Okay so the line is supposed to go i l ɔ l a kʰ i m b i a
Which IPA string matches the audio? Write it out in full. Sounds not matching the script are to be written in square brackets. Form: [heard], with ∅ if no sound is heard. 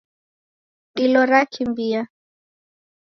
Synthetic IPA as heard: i l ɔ [ɾ] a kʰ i m b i a